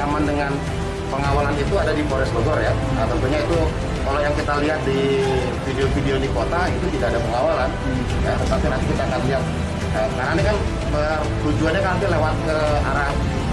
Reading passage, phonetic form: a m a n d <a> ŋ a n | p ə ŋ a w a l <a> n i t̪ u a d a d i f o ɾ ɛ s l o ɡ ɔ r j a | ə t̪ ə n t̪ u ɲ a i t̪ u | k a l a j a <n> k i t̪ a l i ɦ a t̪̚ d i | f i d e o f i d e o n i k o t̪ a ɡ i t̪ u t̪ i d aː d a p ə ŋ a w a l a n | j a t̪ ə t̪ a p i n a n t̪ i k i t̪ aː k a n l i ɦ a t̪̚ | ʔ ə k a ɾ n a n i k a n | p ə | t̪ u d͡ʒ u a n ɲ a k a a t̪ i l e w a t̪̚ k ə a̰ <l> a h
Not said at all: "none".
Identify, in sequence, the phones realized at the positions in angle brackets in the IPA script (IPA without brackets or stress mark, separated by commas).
ə, a, ŋ, ɾ